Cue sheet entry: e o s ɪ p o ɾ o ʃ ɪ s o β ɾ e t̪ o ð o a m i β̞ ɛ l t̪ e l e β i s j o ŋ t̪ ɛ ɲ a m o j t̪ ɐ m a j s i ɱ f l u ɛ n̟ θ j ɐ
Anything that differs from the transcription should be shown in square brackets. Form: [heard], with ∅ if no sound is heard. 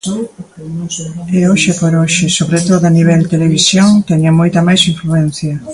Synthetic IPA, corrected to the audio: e o [ʃ] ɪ p o ɾ o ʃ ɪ s o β ɾ e t̪ o ð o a [n] i β̞ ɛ l t̪ e l e β i s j o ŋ t̪ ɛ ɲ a m o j t̪ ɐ m a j s i ɱ f l u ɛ n̟ θ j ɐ